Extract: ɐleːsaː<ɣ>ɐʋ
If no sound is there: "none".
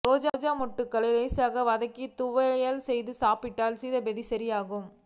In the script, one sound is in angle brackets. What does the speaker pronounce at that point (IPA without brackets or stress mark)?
ɣ